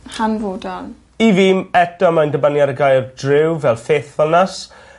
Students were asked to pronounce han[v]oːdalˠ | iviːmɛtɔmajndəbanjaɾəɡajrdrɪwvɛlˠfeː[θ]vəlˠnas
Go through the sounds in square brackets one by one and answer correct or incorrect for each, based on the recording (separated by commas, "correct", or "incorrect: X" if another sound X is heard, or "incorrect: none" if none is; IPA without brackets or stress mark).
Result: correct, correct